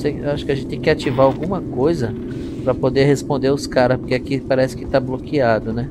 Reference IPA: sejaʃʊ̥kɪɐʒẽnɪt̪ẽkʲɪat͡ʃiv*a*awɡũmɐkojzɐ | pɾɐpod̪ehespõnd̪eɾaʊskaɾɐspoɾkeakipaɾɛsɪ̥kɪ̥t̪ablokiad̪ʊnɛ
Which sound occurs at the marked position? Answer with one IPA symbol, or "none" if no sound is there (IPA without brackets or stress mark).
a